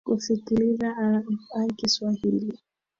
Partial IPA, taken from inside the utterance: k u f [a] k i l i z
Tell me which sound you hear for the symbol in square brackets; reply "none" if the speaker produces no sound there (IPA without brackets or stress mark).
i